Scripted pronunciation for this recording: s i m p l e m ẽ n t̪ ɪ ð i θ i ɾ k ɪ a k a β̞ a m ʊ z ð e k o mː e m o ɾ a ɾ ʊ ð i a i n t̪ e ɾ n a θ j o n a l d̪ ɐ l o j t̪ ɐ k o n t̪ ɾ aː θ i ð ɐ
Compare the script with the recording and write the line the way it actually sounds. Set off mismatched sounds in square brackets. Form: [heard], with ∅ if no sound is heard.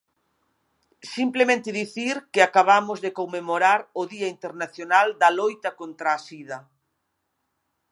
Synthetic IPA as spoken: s i m p l e m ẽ n t̪ ɪ ð i θ i ɾ k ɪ a k a β̞ a m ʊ z ð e k o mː e m o ɾ a ɾ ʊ ð i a i n t̪ e ɾ n a θ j o n a l d̪ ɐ l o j t̪ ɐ k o n t̪ ɾ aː [s] i ð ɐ